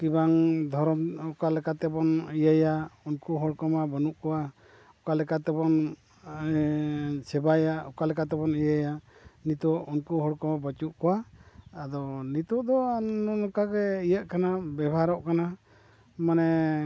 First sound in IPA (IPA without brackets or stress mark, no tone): k